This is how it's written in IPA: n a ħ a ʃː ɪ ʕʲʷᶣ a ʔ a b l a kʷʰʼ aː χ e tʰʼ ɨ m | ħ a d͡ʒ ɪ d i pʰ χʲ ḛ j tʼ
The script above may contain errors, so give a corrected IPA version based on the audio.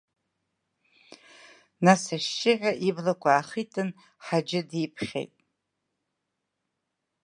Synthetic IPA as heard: n a s a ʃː ɪ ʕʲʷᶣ a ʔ i b l a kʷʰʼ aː χ i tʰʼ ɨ n | ħ a d͡ʒ ɪ d i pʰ χʲ ḛ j tʼ